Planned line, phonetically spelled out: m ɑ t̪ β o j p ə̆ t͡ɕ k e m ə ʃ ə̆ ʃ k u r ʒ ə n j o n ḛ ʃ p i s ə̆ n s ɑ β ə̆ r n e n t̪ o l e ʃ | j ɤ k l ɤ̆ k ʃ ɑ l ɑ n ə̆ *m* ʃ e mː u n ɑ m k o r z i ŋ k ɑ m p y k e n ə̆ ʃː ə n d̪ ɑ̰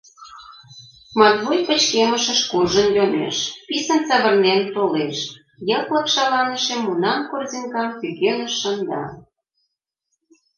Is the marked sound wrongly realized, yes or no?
yes